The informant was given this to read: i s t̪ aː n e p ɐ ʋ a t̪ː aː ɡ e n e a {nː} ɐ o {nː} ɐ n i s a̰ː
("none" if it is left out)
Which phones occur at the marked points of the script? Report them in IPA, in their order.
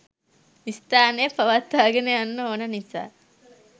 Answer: nː, n

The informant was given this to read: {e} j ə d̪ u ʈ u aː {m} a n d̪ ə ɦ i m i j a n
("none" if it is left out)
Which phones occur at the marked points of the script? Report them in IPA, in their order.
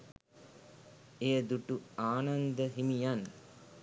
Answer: e, n

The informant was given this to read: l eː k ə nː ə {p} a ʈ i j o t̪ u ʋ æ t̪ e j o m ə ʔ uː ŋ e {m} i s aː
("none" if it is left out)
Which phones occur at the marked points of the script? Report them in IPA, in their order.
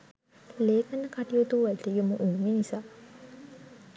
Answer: k, n

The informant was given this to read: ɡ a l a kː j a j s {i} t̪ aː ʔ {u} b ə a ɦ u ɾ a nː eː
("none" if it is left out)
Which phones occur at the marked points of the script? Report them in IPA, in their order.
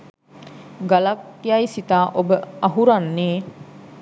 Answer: i, o

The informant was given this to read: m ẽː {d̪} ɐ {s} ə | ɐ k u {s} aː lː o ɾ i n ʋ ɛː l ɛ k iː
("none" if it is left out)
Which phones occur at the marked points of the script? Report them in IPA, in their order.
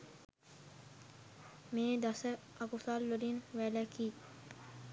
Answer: d̪, s, s

